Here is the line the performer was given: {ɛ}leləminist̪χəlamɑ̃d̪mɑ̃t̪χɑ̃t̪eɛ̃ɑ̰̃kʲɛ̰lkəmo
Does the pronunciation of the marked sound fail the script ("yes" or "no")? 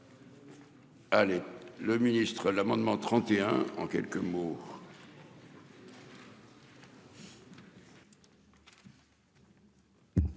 yes